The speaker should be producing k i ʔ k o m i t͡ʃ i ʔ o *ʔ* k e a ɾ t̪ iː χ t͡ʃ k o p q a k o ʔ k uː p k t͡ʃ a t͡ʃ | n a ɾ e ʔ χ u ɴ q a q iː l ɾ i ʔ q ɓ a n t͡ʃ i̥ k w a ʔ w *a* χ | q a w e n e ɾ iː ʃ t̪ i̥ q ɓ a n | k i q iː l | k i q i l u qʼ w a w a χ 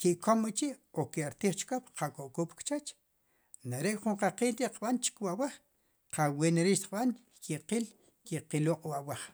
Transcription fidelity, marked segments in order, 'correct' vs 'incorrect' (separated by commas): incorrect, correct